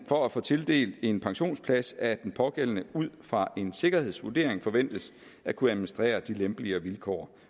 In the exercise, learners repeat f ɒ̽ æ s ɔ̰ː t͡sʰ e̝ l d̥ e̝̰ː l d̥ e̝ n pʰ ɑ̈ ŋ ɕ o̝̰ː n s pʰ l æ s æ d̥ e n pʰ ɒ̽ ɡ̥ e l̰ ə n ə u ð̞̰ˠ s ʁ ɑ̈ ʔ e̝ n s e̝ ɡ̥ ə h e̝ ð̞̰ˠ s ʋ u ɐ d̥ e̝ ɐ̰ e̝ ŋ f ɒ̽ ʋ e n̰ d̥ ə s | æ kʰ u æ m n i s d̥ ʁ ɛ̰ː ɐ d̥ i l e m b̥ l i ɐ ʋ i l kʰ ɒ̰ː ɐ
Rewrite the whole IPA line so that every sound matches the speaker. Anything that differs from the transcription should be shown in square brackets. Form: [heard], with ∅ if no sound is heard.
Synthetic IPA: f ɒ̽ æ [f] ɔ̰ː t͡sʰ e̝ l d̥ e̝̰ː l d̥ e̝ n pʰ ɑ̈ ŋ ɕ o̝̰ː n s pʰ l æ s æ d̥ e n pʰ ɒ̽ ɡ̥ e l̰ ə n ə u ð̞̰ˠ [f] ʁ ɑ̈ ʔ e̝ n s e̝ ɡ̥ [ɐ] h e̝ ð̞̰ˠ s ʋ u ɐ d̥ e̝ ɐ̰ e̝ ŋ f ɒ̽ ʋ e n̰ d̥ ə s | æ kʰ u æ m n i s d̥ ʁ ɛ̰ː ɐ d̥ i l e m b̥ l i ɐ ʋ i l kʰ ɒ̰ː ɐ